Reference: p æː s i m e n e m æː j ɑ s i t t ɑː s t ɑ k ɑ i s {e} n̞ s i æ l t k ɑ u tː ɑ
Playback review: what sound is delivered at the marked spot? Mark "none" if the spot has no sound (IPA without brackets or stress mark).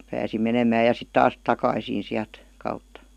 i